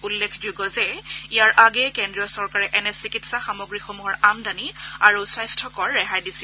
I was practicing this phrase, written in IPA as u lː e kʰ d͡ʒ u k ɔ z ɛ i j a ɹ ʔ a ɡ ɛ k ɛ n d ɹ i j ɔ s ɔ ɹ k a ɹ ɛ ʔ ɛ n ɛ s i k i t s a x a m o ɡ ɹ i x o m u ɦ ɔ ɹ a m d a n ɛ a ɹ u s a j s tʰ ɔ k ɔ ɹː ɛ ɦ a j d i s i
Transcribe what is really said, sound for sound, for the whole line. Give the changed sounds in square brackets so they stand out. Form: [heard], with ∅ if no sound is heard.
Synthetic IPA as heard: u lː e kʰ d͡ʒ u [ɡ] ɔ z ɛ i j a ɹ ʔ a ɡ ɛ k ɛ n d ɹ i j ɔ s ɔ ɹ k a ɹ ɛ ʔ ɛ n ɛ s i k i t s a x a m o ɡ ɹ i x o m u ɦ ɔ ɹ a m d a n [i] a ɹ u s a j s tʰ ɔ k ɔ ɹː ɛ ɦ a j d i s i